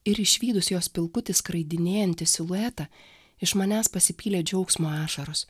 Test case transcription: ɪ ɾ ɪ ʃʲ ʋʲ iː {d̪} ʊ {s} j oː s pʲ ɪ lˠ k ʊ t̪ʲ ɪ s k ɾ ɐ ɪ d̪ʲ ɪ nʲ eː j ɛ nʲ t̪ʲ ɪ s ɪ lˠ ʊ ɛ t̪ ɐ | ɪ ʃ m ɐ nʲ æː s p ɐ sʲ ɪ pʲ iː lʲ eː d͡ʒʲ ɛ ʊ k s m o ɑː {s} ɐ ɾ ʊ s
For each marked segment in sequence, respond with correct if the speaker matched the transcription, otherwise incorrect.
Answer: correct, correct, incorrect

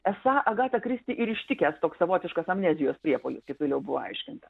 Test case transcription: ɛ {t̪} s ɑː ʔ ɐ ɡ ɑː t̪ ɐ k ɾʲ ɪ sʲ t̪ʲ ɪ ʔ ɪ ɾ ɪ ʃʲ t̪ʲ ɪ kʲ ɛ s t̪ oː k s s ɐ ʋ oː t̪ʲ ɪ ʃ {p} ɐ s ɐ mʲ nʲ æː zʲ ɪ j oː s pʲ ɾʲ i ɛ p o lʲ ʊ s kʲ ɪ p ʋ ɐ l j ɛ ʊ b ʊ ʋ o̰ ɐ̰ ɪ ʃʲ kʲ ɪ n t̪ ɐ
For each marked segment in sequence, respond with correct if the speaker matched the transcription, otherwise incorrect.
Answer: incorrect, incorrect

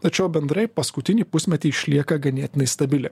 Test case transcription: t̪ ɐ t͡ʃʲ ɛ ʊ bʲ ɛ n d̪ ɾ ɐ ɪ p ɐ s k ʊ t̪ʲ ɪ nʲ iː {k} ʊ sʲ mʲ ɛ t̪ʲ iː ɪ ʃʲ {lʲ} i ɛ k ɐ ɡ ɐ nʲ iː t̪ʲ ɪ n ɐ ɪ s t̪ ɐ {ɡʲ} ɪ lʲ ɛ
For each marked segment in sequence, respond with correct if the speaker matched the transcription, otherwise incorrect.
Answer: incorrect, correct, incorrect

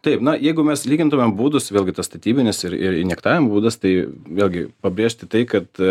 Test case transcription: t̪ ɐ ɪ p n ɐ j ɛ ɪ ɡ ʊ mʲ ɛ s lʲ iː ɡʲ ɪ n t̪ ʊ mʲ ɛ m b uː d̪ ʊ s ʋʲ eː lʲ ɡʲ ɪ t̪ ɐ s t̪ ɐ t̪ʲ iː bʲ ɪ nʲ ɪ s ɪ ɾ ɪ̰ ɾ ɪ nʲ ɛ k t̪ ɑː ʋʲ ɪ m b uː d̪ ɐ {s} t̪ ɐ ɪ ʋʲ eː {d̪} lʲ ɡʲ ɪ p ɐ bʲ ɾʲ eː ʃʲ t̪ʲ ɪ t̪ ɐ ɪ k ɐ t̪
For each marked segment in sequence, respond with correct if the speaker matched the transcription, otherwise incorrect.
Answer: correct, incorrect

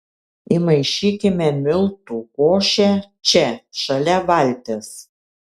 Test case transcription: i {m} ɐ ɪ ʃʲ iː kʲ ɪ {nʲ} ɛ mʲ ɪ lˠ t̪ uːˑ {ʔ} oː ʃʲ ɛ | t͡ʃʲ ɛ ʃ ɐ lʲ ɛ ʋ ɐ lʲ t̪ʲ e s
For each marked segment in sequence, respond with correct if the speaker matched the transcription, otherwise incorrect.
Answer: correct, incorrect, incorrect

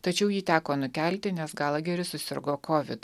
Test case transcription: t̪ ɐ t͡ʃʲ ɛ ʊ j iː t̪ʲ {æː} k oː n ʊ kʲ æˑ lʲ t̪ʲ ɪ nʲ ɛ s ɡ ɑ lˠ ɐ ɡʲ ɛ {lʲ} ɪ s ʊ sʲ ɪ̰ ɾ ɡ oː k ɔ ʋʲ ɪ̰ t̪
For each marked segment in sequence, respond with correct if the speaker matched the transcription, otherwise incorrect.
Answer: correct, incorrect

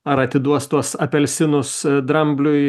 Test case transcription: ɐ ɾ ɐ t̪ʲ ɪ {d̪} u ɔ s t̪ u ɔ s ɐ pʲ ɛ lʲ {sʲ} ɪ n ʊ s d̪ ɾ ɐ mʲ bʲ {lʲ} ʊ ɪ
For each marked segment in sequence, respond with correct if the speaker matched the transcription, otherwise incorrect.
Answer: correct, correct, correct

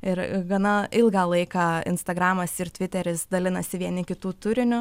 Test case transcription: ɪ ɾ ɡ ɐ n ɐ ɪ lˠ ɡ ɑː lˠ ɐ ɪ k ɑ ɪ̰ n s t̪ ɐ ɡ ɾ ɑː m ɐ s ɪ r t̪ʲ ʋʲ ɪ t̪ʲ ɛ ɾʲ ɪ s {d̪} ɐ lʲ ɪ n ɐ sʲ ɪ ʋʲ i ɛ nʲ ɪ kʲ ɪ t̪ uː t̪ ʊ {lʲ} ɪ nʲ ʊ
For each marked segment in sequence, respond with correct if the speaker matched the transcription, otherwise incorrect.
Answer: correct, incorrect

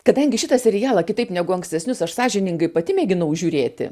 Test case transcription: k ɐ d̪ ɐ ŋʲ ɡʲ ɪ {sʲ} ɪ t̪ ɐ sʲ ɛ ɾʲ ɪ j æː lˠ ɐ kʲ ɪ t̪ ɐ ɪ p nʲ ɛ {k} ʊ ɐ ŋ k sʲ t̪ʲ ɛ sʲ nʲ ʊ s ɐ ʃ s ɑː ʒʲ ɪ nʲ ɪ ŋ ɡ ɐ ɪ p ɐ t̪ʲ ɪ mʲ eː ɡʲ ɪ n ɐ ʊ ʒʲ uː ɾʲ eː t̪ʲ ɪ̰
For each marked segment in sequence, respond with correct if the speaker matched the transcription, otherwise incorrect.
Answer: incorrect, incorrect

